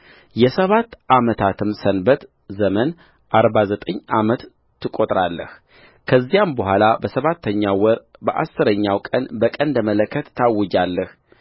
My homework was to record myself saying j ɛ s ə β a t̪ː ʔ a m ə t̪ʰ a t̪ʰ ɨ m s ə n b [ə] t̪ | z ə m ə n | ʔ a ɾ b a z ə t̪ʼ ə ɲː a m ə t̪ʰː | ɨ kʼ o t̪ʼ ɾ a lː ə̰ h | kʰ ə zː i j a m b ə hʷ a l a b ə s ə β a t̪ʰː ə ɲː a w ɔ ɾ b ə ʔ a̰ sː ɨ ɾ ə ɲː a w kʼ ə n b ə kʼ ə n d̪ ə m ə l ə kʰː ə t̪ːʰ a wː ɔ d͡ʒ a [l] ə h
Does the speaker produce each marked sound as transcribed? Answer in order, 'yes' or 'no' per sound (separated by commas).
yes, no